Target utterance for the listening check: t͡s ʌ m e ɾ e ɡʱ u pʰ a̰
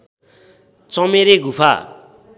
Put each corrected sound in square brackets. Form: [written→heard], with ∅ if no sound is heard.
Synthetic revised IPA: t͡s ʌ m e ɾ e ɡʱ u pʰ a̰